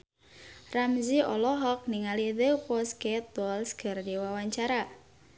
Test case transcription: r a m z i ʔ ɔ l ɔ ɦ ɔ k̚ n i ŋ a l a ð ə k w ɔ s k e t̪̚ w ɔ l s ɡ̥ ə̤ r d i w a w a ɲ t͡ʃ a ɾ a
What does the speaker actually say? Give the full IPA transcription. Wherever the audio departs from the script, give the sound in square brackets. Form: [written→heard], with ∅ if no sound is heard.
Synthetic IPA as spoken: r a m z i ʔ ɔ l ɔ ɦ ɔ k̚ n i ŋ a l [a→i] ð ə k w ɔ s k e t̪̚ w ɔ l s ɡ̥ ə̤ r d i w a w a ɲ t͡ʃ a ɾ a